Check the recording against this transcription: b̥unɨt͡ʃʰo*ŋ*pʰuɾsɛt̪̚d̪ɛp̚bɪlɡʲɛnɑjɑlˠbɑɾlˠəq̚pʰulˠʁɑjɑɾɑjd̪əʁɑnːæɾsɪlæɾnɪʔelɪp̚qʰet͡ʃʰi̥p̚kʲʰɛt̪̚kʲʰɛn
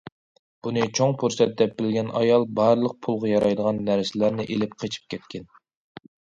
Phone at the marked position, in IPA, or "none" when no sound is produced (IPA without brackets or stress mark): ŋ